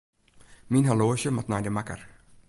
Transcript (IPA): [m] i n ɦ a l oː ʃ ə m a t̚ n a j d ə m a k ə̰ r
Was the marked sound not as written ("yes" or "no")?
no